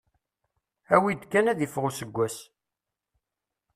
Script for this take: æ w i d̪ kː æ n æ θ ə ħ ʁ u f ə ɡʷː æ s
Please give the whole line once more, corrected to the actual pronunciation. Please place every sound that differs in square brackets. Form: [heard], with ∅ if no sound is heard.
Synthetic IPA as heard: æ w i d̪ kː æ n æ [ð] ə [f] ʁ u [s] ə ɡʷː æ s